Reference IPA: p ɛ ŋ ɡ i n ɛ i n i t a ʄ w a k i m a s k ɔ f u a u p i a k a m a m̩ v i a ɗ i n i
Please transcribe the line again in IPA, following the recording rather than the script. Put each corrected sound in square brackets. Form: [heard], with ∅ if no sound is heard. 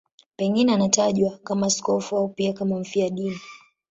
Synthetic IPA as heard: p ɛ ŋ ɡ i n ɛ [a] n [a] t a ʄ w a k [a] m a s k ɔ f u a u p i a k a m a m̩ [f] i a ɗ i n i